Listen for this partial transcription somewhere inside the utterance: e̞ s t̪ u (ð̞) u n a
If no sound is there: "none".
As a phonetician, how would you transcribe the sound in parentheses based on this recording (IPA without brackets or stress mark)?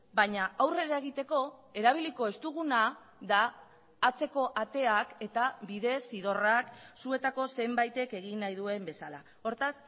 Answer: ɣ̞